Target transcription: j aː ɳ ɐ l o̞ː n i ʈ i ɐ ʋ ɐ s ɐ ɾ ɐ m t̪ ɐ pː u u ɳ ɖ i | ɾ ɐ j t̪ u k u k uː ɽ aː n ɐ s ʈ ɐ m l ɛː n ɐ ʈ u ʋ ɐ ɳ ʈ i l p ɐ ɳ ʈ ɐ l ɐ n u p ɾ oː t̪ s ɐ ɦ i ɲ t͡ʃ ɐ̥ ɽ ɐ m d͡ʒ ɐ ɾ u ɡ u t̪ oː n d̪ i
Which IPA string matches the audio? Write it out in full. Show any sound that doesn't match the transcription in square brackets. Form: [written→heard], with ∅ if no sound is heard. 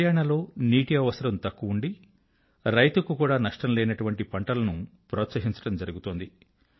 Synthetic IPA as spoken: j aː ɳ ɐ l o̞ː n [i→iː] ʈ i ɐ ʋ ɐ s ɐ ɾ ɐ m t̪ ɐ [pː→kː] u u ɳ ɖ i | ɾ ɐ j t̪ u k u k uː ɽ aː n ɐ [s→ʂ] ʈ ɐ m l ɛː n ɐ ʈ u ʋ ɐ ɳ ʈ i [l→∅] p ɐ ɳ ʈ ɐ l ɐ n u p ɾ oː t̪ s ɐ ɦ i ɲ t͡ʃ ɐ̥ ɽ ɐ m d͡ʒ ɐ ɾ u ɡ u t̪ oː n d̪ i